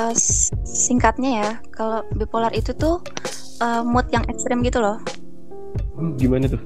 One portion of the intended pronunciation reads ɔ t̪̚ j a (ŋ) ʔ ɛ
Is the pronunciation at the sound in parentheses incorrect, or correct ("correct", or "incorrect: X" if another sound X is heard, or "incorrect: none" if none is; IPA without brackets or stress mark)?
correct